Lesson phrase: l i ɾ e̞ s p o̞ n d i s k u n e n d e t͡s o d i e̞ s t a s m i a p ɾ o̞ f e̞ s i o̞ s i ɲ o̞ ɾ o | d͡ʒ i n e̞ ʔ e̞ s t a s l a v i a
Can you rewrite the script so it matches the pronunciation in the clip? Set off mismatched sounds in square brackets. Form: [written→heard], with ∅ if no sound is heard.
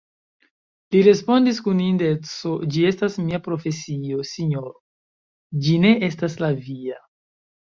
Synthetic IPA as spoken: l i ɾ e̞ s p o̞ n d i s k u n [e→i] n d e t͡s o [d→d͡ʒ] i e̞ s t a s m i a p ɾ o̞ f e̞ s i o̞ s i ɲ o̞ ɾ o | d͡ʒ i n e̞ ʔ e̞ s t a s l a v i a